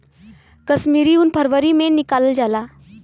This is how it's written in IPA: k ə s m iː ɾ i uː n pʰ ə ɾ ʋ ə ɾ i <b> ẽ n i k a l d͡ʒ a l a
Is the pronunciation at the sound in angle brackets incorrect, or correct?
incorrect